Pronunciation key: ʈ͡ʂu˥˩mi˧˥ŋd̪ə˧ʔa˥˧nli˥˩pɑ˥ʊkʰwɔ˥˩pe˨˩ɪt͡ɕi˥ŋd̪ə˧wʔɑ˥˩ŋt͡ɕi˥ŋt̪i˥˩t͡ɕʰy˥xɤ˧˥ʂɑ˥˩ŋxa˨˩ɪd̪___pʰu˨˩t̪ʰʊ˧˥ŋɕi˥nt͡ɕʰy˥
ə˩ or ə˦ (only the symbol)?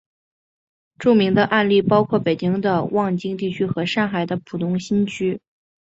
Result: ə˦